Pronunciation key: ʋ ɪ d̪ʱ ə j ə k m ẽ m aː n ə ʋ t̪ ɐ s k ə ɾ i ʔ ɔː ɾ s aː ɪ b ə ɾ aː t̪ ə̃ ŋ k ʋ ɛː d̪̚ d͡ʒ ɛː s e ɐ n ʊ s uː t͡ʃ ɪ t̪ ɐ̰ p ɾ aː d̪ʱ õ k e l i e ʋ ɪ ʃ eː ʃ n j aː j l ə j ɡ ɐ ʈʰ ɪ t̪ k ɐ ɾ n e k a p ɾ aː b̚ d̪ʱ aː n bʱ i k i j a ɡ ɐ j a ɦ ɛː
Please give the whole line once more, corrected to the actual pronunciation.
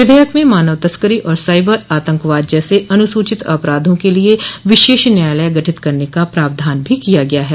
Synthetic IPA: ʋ ɪ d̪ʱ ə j ə k m ẽ m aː n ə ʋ t̪ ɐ s k ə ɾ i ʔ ɔː ɾ s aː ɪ b ə ɾ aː t̪ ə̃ ŋ k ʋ aː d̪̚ d͡ʒ ɛː s e ɐ n ʊ s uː t͡ʃ ɪ t̪ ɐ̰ p ɾ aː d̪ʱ õ k e l i e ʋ ɪ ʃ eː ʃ n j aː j l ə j ɡ ɐ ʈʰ ɪ t̪ k ɐ ɾ n e k a p ɾ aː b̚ d̪ʱ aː n bʱ i k i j a ɡ ɐ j a ɦ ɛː

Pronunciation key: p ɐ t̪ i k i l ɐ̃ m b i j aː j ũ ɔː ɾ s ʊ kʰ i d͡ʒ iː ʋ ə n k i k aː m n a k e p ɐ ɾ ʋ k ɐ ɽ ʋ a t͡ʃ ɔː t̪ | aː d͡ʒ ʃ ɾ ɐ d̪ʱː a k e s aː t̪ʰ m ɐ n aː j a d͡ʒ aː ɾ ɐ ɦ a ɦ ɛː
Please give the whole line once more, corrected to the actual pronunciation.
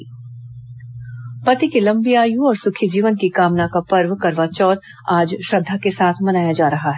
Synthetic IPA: p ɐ t̪ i k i l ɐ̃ m b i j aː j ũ ɔː ɾ s ʊ kʰ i d͡ʒ iː ʋ ə n k i k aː m n a k a p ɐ ɾ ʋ k ɐ ɾ ʋ a t͡ʃ ɔː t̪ | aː d͡ʒ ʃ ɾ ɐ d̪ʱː a k e s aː t̪ʰ m ɐ n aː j a d͡ʒ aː ɾ ɐ ɦ a ɦ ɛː

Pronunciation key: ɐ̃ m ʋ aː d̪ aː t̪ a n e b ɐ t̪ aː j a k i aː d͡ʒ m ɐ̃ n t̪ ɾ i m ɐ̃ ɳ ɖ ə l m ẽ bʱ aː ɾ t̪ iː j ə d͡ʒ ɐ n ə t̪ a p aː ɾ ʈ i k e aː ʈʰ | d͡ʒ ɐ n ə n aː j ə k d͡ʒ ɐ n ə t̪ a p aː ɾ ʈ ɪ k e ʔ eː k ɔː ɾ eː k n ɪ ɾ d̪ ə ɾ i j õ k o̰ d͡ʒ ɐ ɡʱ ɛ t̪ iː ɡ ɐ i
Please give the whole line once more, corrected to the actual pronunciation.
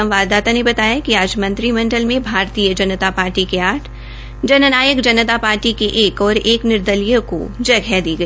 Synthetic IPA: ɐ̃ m ʋ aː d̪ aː t̪ a n e b ɐ t̪ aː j a k i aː d͡ʒ m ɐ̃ n t̪ ɾ i m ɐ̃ ɳ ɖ ə l m ẽ bʱ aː ɾ t̪ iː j ə d͡ʒ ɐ n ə t̪ a p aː ɾ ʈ i k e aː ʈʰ | d͡ʒ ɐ n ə n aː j ə k d͡ʒ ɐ n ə t̪ a p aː ɾ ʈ i k e ʔ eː k ɔː ɾ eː k n ɪ ɾ d̪ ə l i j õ k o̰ d͡ʒ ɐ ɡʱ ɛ d̪ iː ɡ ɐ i

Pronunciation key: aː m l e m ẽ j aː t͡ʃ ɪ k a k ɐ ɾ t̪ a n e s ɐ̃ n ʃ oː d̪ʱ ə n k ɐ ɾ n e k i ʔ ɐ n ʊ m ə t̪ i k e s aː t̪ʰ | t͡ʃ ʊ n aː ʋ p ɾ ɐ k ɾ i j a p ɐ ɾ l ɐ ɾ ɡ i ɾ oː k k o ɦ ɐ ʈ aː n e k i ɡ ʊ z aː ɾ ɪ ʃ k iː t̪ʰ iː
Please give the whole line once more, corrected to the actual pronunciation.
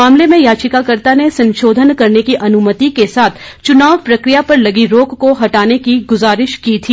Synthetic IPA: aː m l e m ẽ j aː t͡ʃ ɪ k a k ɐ ɾ t̪ a n e s ɐ̃ n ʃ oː d̪ʱ ə n k ɐ ɾ n e k i ʔ ɐ n ʊ m ə t̪ i k e s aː t̪ʰ | t͡ʃ ʊ n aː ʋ p ɾ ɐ k ɾ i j a p ɐ ɾ l ɐ ɡ i ɾ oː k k o ɦ ɐ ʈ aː n e k i ɡ ʊ z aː ɾ ɪ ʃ k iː t̪ʰ iː

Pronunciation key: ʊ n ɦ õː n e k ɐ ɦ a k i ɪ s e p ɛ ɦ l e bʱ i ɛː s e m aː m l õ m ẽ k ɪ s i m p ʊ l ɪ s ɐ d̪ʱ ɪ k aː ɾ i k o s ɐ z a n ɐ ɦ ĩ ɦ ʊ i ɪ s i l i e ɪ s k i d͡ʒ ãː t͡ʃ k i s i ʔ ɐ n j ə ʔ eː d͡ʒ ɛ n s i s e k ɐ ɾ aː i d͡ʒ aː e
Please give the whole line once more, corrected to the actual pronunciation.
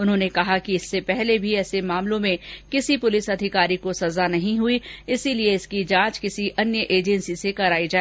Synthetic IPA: ʊ n ɦ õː n e k ɐ ɦ a k i ɪ sː e p ɛ ɦ l e bʱ i ɛː s e m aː m l õ m ẽ k ɪ s i p ʊ l ɪ s ɐ d̪ʱ ɪ k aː ɾ i k o s ɐ z a n ɐ ɦ ĩ ɦ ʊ i ɪ s i l i e ɪ s k i d͡ʒ ãː t͡ʃ k ɪ s i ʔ ɐ n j ə ʔ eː d͡ʒ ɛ n s i s e k ɐ ɾ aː i d͡ʒ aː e

